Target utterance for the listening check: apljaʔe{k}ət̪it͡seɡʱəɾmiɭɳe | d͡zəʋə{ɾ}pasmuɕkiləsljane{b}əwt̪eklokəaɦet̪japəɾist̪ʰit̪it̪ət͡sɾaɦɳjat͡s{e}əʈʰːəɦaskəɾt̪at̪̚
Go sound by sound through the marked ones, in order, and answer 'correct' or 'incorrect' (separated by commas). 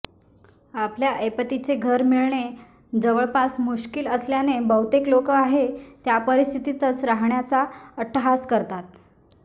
incorrect, incorrect, correct, incorrect